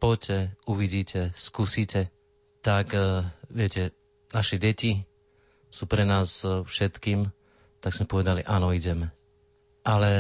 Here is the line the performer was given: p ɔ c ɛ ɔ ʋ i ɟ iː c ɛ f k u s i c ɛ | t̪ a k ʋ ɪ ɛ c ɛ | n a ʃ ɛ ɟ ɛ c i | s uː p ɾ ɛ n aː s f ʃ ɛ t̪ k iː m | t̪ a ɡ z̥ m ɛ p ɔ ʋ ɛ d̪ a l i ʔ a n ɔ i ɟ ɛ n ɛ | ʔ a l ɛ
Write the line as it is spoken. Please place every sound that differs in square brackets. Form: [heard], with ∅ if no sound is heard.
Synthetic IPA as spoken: p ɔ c ɛ [u] ʋ i ɟ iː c ɛ [s] k u s i c ɛ | t̪ a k ʋ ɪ ɛ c ɛ | n a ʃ ɛ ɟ ɛ c i | s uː p ɾ ɛ n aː s f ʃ ɛ t̪ k iː m | t̪ a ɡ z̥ m ɛ p ɔ ʋ ɛ d̪ a l i ʔ a n ɔ i ɟ ɛ [m] ɛ | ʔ a l ɛ